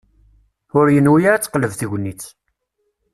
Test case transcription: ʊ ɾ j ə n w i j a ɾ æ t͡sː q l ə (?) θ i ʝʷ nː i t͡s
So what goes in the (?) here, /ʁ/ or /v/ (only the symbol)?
v